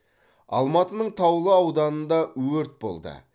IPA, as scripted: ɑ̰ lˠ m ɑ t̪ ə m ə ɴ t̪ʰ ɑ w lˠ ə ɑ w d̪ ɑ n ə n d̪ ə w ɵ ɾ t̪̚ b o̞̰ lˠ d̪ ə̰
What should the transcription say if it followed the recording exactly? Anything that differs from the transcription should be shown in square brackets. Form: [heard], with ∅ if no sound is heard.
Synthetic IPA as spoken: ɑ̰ lˠ m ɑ t̪ ə [n] ə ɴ t̪ʰ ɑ w lˠ ə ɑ w d̪ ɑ n ə n d̪ [ɑ] w ɵ ɾ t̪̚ b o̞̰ lˠ d̪ ə̰

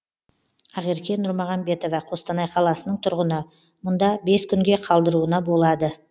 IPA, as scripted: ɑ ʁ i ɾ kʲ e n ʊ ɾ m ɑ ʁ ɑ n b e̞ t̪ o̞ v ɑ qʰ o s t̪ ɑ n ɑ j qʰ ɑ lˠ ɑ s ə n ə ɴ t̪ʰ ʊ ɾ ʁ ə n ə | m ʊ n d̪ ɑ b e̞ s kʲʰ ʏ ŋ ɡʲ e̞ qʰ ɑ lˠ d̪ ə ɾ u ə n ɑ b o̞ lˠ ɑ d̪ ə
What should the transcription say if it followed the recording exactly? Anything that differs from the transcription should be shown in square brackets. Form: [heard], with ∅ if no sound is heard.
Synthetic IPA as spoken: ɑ ʁ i ɾ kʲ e n ʊ ɾ m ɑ ʁ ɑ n b e̞ t̪ o̞ v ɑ qʰ o s t̪ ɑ n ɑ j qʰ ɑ lˠ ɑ s ə n ə ɴ t̪ʰ ʊ ɾ ʁ ə n ə | m ʊ n d̪ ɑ b e̞ s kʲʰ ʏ ŋ ɡʲ e̞ qʰ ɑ lˠ d̪ ə ɾ u ə n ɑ b o̞ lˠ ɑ d̪ ə

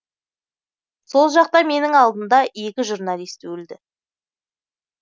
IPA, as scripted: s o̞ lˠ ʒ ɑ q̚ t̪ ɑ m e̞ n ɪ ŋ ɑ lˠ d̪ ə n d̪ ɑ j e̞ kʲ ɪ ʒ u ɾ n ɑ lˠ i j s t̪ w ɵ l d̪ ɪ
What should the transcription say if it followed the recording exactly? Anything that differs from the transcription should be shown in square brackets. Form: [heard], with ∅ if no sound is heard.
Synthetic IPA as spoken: s o̞ lˠ ʒ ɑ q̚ t̪ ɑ m e̞ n ɪ ŋ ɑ lˠ d̪ ə n d̪ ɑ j e̞ kʲ ɪ ʒ u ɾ n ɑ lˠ i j s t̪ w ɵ l d̪ ɪ

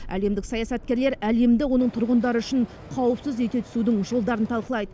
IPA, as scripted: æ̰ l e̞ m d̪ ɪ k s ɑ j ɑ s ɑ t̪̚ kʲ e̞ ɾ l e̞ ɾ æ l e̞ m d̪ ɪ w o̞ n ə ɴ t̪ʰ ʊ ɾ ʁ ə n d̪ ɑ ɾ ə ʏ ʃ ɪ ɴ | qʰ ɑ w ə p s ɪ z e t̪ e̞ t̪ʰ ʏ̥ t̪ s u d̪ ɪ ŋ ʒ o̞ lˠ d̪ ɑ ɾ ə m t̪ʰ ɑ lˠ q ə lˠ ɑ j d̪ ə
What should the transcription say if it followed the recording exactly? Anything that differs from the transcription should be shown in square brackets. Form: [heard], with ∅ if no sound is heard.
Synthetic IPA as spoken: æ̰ l e̞ m d̪ ɪ k s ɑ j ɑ s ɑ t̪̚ kʲ e̞ ɾ l e̞ ɾ æ l e̞ m d̪ ɪ w o̞ n ə ɴ t̪ʰ ʊ ɾ ʁ ə n d̪ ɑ ɾ ə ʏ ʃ ɪ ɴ | qʰ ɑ w ə p s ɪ z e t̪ e̞ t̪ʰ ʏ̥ [∅] s u d̪ ɪ ŋ ʒ o̞ lˠ d̪ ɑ ɾ ə [n] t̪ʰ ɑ lˠ q ə lˠ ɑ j d̪ ə

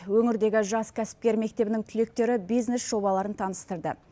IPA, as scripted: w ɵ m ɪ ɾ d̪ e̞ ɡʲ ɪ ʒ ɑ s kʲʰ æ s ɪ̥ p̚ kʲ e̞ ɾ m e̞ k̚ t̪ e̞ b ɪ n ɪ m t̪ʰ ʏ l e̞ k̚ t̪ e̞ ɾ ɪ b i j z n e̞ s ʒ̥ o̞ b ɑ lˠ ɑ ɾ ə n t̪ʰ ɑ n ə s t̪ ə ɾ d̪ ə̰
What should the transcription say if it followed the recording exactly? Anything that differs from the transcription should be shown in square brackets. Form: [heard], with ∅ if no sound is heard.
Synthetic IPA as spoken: w ɵ [ŋ] ɪ ɾ d̪ e̞ ɡʲ ɪ ʒ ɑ s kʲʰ æ s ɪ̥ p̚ kʲ e̞ ɾ m e̞ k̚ t̪ e̞ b ɪ n ɪ [ŋ] t̪ʰ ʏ l e̞ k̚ t̪ e̞ ɾ ɪ b i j z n e̞ s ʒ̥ o̞ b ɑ lˠ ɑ ɾ ə n t̪ʰ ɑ n ə s t̪ ə ɾ d̪ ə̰

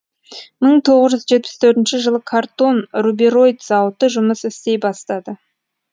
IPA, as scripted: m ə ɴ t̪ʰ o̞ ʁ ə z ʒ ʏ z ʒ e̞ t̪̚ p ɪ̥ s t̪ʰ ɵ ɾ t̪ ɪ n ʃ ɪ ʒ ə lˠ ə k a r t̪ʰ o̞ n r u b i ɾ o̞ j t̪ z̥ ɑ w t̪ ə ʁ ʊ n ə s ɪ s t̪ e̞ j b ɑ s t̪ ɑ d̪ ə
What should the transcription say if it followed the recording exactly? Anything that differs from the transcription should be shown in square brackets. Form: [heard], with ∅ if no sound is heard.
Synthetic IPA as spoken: m ə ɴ t̪ʰ o̞ ʁ ə z ʒ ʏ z ʒ e̞ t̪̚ p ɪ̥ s t̪ʰ ɵ ɾ t̪ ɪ n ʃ ɪ ʒ ə lˠ ə [kʰ] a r [t̪] o̞ n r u b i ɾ o̞ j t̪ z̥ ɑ w t̪ ə [ʒ] ʊ [m] ə s ɪ s t̪ e̞ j b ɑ s t̪ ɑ d̪ ə

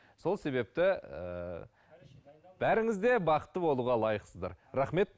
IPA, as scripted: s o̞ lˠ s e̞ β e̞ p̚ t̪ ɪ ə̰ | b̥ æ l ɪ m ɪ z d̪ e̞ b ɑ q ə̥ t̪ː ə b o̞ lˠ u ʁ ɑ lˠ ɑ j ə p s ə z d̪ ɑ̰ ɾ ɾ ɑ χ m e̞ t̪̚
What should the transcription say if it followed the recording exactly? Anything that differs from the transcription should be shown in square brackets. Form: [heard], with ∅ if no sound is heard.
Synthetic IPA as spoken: s o̞ lˠ s e̞ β e̞ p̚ t̪ ɪ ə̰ | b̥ æ [ɾ] ɪ [ŋ] ɪ z d̪ e̞ b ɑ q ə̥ t̪ː ə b o̞ lˠ u ʁ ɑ lˠ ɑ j ə [q] s ə z d̪ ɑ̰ ɾ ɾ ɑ χ m e̞ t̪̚

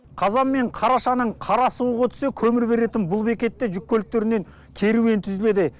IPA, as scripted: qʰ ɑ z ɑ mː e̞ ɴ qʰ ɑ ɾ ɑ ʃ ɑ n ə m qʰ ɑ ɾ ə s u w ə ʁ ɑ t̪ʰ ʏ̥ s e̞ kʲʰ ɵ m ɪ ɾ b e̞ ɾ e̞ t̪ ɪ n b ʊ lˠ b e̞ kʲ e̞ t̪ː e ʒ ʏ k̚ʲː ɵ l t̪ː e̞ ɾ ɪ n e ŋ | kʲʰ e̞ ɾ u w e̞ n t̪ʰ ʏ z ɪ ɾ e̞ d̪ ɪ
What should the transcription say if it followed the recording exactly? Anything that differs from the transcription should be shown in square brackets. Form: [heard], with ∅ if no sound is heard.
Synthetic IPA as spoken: qʰ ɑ z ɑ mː e̞ ɴ qʰ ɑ ɾ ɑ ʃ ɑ n ə [ɴ] qʰ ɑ ɾ [ɑ] s u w ə ʁ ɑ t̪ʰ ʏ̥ s e̞ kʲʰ ɵ m ɪ ɾ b e̞ ɾ e̞ t̪ ɪ n b ʊ lˠ b e̞ kʲ e̞ t̪ː e ʒ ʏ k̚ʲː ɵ l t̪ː e̞ ɾ ɪ n e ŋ | kʲʰ e̞ ɾ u w e̞ n t̪ʰ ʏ z ɪ [l] e̞ d̪ ɪ

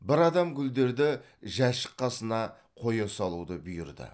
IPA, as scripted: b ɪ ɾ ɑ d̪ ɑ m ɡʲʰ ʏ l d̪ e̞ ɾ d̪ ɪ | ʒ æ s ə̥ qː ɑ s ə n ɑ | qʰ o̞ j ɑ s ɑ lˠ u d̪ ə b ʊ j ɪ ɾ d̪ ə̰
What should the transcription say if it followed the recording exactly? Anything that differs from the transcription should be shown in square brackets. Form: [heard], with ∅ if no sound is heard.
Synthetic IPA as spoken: b ɪ ɾ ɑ d̪ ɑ m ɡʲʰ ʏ l d̪ e̞ ɾ d̪ ɪ | ʒ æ [ʃ] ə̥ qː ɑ s ə n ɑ | qʰ o̞ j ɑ s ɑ lˠ u d̪ ə b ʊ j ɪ ɾ d̪ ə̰

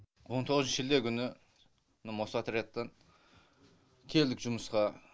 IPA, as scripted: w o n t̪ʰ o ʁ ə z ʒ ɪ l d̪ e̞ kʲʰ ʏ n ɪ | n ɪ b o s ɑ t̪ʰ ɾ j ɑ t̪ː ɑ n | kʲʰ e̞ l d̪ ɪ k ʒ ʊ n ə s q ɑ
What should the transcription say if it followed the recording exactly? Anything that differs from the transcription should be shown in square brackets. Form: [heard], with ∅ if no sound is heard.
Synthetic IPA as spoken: w o n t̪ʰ o ʁ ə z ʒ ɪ l d̪ e̞ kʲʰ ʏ n ɪ | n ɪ [m] o s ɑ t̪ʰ ɾ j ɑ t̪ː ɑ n | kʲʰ e̞ l d̪ ɪ k ʒ ʊ [m] ə s q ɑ

